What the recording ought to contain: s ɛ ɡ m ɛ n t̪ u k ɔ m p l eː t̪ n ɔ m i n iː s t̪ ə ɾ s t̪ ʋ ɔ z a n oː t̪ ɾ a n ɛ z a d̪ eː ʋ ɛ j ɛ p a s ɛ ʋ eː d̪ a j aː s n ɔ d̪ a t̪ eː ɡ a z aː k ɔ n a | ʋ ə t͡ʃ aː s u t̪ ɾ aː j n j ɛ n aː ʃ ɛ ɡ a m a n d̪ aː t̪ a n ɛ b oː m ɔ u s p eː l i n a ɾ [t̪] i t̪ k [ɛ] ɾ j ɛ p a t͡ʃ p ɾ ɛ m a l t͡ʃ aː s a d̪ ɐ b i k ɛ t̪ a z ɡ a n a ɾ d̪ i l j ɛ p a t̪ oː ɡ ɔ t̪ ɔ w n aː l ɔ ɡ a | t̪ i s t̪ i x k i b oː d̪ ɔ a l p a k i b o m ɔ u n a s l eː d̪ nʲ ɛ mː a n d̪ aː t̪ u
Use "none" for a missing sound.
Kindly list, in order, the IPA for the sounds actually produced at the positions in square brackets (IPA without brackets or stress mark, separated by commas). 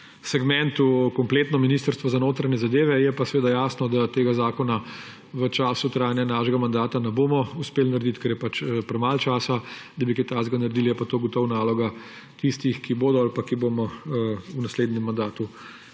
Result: d̪, ɛ